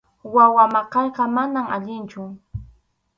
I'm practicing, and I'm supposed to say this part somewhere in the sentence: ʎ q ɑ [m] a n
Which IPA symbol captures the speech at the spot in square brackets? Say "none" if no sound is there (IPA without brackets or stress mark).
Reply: m